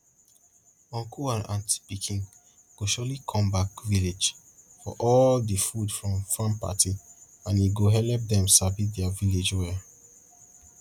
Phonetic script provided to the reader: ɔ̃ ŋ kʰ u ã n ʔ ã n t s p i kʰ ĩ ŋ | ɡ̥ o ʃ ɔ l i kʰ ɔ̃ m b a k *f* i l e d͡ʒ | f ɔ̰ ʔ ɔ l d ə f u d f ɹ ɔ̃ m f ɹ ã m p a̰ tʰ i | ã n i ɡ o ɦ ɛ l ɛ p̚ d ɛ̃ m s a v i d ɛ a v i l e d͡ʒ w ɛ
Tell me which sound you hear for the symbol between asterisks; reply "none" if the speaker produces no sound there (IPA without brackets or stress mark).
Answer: v